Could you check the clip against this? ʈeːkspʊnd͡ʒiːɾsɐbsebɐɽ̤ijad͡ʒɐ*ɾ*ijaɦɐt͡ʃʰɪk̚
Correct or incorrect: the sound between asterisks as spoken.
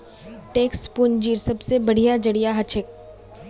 incorrect: ɽ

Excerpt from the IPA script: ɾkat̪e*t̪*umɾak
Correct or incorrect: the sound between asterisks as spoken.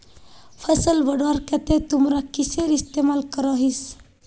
correct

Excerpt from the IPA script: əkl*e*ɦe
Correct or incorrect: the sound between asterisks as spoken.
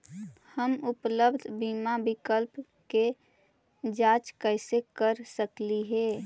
incorrect: i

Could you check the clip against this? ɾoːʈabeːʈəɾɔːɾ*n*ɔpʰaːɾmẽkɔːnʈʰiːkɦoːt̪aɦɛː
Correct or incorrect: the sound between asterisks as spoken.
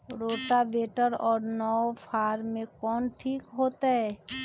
correct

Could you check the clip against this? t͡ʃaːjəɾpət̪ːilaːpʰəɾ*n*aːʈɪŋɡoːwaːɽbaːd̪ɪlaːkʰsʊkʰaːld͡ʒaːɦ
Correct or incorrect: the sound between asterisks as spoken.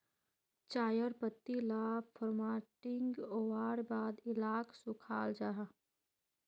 incorrect: m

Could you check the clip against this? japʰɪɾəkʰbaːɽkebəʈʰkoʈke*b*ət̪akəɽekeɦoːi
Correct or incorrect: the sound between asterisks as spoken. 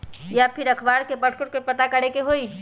incorrect: p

